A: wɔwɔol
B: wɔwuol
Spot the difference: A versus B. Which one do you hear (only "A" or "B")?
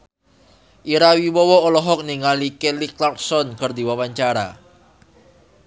A